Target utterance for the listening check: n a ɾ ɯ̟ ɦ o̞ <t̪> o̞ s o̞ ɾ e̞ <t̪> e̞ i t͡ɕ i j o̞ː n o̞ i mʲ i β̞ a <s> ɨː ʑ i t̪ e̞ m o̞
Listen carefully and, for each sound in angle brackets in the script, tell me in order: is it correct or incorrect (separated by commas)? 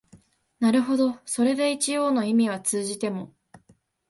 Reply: incorrect, incorrect, incorrect